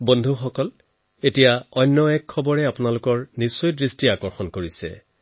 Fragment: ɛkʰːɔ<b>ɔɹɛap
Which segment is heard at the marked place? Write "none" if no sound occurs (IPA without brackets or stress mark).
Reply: b